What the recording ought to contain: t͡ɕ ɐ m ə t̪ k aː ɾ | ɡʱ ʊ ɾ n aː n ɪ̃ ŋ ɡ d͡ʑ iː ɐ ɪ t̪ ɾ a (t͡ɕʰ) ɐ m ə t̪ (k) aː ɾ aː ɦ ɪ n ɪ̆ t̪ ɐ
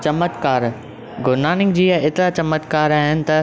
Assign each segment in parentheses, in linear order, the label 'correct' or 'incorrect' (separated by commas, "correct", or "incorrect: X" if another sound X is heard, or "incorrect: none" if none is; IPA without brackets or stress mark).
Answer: incorrect: t͡ɕ, correct